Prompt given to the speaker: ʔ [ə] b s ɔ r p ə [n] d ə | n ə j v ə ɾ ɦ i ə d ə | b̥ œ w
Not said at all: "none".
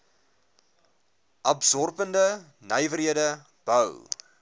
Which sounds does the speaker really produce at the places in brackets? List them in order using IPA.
ɐ, n

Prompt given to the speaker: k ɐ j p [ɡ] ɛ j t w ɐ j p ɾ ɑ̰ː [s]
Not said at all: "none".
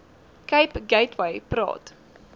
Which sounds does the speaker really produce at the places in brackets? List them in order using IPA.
ɡ, t

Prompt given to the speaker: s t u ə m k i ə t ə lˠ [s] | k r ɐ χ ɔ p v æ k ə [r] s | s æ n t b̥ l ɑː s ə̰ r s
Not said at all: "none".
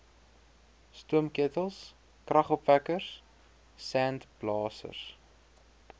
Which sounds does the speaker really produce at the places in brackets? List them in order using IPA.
s, r

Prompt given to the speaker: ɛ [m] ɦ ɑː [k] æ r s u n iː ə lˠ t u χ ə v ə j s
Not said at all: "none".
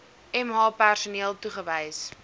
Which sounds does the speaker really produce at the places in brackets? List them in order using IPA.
m, p

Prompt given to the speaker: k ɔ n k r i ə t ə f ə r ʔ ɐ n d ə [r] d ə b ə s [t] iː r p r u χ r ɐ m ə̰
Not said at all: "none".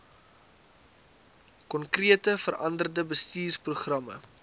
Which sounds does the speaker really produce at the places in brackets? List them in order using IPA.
r, t

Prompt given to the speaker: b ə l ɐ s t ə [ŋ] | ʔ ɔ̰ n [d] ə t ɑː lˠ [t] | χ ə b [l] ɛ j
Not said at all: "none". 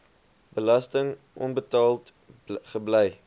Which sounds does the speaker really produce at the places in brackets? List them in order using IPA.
ŋ, b, t, l

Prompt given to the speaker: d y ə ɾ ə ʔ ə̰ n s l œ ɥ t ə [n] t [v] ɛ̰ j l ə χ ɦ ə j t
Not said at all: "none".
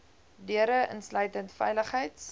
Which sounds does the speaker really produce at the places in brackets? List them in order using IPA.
n, f

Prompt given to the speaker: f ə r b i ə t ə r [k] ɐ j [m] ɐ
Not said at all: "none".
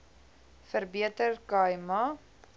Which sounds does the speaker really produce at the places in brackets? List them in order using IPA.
k, m

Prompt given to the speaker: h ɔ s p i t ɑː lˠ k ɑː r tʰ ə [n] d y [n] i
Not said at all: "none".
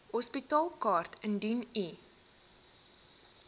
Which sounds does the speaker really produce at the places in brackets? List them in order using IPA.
n, n

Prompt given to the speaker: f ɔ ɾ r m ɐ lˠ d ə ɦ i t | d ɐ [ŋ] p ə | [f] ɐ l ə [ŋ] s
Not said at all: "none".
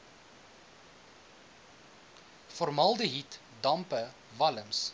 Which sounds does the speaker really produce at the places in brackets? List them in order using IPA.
m, v, m

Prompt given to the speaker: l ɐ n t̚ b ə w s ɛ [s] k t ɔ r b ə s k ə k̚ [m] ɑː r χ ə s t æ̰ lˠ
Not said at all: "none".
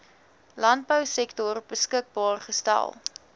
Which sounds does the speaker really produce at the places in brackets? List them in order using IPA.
none, b

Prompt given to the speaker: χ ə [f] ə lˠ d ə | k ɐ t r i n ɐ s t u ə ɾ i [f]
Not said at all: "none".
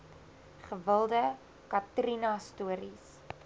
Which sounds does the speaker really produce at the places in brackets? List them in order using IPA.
v, s

